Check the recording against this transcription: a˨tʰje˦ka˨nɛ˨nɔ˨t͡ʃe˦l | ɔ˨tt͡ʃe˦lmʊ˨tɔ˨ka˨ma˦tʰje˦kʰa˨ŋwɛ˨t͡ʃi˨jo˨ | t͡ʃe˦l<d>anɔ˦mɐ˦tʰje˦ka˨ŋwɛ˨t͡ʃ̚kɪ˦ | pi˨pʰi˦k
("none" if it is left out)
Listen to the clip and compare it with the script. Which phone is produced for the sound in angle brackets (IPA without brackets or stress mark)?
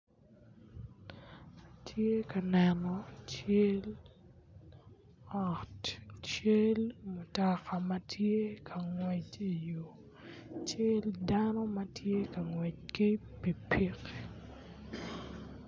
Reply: d